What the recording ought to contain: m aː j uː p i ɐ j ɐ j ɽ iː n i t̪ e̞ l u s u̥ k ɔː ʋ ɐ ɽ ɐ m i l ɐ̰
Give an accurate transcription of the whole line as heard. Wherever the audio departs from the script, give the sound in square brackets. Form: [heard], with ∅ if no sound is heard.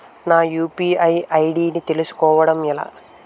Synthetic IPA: [n] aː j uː p i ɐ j ɐ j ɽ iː n i t̪ e̞ l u s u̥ k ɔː ʋ ɐ ɽ ɐ m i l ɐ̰